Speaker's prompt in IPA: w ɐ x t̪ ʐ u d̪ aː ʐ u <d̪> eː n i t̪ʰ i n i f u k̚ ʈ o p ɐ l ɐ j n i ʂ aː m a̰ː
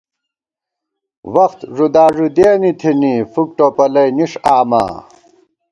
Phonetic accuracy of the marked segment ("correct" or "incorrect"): correct